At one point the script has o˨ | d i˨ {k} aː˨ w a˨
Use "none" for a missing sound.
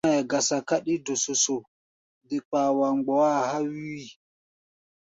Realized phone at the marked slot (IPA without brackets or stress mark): k͡p